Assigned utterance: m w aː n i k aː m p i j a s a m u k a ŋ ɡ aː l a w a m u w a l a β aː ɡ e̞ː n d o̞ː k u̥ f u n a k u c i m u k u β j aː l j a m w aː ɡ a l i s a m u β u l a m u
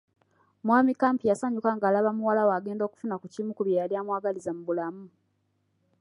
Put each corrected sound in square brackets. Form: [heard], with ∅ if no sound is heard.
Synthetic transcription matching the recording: m w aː [m] i k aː m p i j a s a [ɲ] u k a ŋ ɡ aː l a [β] a m u w a l a [w] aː ɡ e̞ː n d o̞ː k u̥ f u n a k u c i m u k u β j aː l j a m w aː ɡ a l i [z] a m u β u l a m u